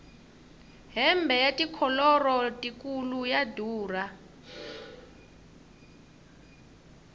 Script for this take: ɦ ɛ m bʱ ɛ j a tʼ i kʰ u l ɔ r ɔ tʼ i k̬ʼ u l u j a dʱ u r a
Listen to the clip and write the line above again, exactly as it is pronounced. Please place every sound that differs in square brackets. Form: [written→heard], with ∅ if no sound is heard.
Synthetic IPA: ɦ ɛ m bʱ ɛ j a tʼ i kʰ [u→ɔ] l ɔ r ɔ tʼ i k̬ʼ u l u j a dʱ [u→uː] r a